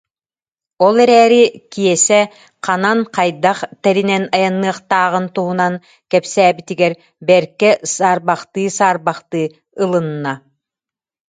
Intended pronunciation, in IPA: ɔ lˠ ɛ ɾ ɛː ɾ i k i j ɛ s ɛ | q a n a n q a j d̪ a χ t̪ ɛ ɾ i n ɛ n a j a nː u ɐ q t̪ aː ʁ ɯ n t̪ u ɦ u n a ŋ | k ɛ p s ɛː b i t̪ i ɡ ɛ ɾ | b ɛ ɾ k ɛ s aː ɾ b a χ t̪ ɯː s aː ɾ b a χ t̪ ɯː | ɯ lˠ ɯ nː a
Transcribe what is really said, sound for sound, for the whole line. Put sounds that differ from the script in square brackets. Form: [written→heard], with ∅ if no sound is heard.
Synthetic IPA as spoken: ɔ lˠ ɛ ɾ ɛː ɾ i k i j ɛ s ɛ | q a n a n q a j d̪ a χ t̪ ɛ ɾ i n ɛ n a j a nː [u→ɯ] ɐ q t̪ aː ʁ ɯ n t̪ u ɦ u n a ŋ | k ɛ p s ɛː b i t̪ i ɡ ɛ ɾ | b ɛ ɾ k ɛ s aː ɾ b a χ t̪ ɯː s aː ɾ b a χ t̪ ɯː | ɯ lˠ ɯ nː a